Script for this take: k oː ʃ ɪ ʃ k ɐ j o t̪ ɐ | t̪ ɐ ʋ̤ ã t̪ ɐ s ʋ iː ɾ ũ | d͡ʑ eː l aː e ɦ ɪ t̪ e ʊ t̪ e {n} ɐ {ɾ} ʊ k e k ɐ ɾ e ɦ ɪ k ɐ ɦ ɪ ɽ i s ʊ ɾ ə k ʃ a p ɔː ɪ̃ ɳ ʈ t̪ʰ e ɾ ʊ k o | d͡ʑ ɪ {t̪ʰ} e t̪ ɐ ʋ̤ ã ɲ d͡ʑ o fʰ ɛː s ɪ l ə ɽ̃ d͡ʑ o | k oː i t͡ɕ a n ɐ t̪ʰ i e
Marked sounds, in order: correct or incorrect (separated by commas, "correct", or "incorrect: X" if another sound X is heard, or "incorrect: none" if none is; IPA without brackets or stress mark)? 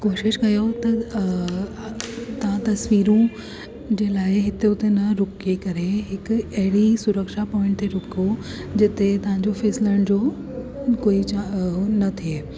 correct, correct, incorrect: t̪